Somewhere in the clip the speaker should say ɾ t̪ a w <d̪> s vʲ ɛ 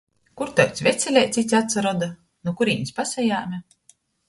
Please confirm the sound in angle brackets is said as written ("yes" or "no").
no